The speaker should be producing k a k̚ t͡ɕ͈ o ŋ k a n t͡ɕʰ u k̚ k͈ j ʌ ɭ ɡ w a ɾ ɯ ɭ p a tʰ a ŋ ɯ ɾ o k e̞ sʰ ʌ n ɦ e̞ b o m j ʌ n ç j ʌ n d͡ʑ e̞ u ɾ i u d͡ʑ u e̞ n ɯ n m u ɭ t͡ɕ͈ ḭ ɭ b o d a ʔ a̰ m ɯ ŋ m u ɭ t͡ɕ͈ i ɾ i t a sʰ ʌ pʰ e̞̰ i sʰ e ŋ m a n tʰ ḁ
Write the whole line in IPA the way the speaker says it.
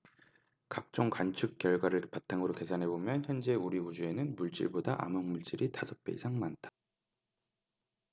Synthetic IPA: k a k̚ t͡ɕ͈ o ŋ k a n t͡ɕʰ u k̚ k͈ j ʌ ɭ ɡ w a ɾ ɯ ɭ p a tʰ a ŋ ɯ ɾ o k e̞ sʰ a n ɦ e̞ b o m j ʌ n ç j ʌ n d͡ʑ e̞ u ɾ i u d͡ʑ u e̞ n ɯ n m u ɭ t͡ɕ͈ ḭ ɭ b o d a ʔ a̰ m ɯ ŋ m u ɭ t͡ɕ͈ i ɾ i t a sʰ ʌ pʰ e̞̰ i sʰ a ŋ m a n tʰ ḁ